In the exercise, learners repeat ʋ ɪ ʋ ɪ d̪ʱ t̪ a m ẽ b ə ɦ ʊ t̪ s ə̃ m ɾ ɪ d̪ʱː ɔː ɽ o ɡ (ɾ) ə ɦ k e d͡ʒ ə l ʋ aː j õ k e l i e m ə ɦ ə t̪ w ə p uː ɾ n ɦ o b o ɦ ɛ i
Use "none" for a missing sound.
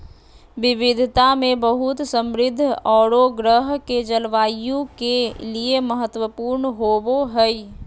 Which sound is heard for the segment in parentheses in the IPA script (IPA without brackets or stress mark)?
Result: ɾ